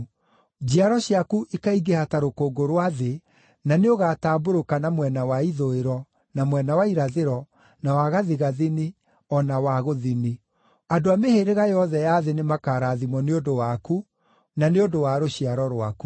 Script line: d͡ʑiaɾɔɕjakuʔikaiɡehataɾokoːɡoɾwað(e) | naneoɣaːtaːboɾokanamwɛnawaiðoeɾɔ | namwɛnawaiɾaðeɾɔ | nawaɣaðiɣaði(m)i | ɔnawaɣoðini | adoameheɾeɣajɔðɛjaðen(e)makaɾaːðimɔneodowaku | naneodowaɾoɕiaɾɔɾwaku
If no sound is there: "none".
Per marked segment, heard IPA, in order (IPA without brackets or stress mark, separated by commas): e, n, e